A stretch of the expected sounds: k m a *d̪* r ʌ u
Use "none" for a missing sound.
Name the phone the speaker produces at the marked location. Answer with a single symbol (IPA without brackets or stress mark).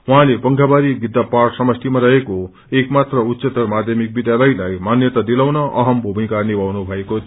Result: t̪